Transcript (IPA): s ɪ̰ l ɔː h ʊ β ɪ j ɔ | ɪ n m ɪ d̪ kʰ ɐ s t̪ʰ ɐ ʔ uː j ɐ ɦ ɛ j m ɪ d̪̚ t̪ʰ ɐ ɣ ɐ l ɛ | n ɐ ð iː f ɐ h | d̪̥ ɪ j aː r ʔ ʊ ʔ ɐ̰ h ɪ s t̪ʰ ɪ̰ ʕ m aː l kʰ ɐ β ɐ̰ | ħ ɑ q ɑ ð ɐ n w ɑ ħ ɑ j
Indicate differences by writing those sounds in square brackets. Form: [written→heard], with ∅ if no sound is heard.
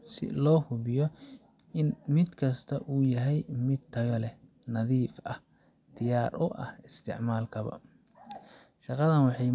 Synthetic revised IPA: s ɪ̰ l ɔː h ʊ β ɪ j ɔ | ɪ n m ɪ d̪ kʰ ɐ s t̪ʰ ɐ ʔ uː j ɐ ɦ ɛ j m ɪ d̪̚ t̪ʰ ɐ ɣ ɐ l ɛ | n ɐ ð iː f ɐ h | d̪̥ ɪ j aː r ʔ ʊ ʔ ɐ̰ h ɪ s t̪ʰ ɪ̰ ʕ m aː l kʰ ɐ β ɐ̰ | [ħ→ʃ] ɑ q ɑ ð ɐ n w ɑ ħ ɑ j